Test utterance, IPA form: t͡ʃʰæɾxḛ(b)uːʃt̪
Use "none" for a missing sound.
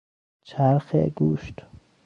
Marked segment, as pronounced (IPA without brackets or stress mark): ɡ